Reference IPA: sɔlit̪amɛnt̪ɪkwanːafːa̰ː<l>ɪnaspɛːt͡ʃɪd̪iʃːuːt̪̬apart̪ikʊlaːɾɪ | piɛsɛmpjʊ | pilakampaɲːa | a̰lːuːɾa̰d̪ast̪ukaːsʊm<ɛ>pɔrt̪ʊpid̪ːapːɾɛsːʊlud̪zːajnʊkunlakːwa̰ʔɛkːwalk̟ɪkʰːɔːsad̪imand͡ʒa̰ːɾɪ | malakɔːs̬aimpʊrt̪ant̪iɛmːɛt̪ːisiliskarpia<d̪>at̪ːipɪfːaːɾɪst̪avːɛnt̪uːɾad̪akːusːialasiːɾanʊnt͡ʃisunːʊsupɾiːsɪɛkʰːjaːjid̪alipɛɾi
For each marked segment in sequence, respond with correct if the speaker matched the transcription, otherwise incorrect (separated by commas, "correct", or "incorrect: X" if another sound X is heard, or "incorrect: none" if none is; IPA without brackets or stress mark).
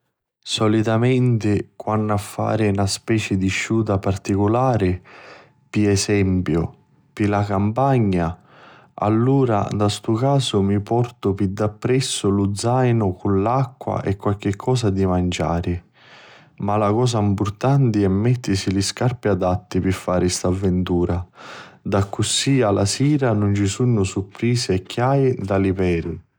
incorrect: ɾ, incorrect: i, correct